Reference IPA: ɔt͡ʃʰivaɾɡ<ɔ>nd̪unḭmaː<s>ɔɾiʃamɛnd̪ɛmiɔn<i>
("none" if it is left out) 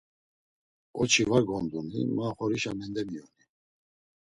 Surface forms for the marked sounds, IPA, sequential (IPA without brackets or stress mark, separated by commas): ɔ, χ, i